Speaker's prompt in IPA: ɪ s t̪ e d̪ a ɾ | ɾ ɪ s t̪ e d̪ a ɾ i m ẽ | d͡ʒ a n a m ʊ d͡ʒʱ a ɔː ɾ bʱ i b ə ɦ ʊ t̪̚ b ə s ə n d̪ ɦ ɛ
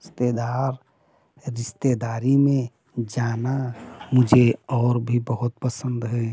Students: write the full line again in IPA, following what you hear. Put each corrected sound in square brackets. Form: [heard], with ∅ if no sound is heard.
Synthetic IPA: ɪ s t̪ e d̪ a ɾ | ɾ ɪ s t̪ e d̪ a ɾ i m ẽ | d͡ʒ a n a m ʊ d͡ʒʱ [e] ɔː ɾ bʱ i b ə ɦ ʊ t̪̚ [p] ə s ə n d̪ ɦ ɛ